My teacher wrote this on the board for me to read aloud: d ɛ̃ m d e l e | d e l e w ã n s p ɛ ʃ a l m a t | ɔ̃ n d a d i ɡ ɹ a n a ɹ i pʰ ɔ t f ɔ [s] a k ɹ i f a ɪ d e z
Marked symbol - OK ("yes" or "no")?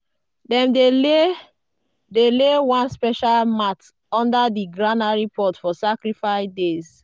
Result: yes